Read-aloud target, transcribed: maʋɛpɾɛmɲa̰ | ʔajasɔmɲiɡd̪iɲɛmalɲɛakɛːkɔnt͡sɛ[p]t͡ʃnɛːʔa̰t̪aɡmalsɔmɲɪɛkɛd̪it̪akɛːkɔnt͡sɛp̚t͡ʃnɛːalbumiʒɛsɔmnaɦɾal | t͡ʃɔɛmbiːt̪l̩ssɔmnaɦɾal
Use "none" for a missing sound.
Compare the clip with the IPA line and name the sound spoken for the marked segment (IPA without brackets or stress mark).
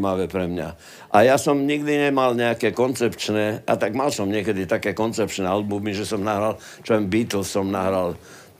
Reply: p